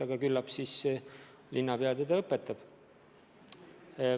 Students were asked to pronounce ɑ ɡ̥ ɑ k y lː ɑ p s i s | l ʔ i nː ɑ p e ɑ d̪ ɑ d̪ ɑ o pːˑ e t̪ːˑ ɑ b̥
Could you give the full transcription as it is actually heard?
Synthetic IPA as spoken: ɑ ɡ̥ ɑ k y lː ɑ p s i s | l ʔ i nː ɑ p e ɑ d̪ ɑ d̪ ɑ ɤ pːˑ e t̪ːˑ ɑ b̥